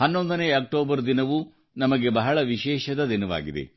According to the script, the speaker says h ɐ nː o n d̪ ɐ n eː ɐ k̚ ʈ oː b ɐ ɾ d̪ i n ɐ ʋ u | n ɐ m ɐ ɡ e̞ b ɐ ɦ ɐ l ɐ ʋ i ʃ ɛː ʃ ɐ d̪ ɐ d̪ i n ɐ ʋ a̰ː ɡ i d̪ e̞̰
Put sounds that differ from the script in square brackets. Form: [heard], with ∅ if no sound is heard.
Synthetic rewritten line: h ɐ nː o n d̪ ɐ n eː ɐ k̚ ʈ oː b ɐ ɾ d̪ i n ɐ ʋ u | n ɐ m ɐ ɡ e̞ b ɐ ɦ ɐ [ɭ] ɐ ʋ i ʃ ɛː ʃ ɐ d̪ ɐ d̪ i n ɐ ʋ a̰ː ɡ i d̪ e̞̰